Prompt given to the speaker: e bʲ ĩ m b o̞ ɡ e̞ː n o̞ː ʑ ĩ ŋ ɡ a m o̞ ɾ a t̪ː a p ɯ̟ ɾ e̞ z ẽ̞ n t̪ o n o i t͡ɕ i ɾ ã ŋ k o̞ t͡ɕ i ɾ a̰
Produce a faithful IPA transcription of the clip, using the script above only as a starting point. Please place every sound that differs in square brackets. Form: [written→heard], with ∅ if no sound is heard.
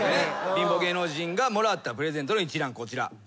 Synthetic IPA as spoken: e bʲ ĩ m b o̞ ɡ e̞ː n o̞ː ʑ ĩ ŋ ɡ a m o̞ ɾ a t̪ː a p ɯ̟ ɾ e̞ z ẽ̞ n t̪ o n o i t͡ɕ i ɾ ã ŋ k o̞ t͡ɕ i ɾ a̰